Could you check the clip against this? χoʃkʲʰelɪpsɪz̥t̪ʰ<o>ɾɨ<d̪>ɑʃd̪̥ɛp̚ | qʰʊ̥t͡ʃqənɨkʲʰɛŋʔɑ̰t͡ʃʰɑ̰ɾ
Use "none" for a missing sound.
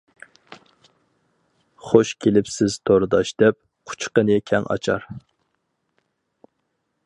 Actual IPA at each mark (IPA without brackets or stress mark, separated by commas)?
o, d̪